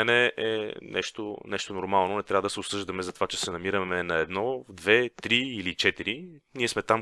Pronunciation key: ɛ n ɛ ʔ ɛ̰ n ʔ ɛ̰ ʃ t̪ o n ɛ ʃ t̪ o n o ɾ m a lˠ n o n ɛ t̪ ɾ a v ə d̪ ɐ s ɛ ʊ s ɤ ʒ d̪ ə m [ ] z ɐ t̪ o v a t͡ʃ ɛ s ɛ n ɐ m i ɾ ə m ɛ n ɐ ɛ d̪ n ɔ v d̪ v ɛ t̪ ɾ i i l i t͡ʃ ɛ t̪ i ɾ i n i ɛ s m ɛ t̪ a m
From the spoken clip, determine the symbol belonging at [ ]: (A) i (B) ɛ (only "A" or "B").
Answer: B